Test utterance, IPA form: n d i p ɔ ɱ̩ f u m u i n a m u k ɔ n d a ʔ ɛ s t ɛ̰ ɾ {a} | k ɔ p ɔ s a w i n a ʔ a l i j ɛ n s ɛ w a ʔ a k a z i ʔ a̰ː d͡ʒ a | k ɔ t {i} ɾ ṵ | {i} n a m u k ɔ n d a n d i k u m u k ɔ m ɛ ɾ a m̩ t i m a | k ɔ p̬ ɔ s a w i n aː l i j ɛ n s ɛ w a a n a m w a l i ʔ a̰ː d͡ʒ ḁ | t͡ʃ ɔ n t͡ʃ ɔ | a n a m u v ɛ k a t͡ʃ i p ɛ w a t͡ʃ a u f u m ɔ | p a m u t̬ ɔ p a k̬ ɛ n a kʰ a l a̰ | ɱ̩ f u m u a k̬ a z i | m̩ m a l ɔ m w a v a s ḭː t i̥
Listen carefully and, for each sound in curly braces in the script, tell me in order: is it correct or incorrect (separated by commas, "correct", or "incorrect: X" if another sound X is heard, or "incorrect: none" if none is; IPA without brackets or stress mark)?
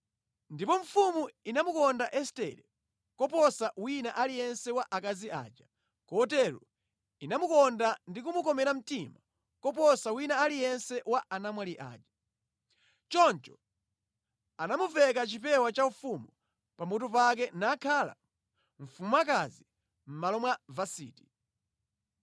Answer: incorrect: ɛ, incorrect: ɛ, correct